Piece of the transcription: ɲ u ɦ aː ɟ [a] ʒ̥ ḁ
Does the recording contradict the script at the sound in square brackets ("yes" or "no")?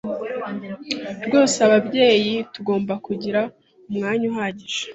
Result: yes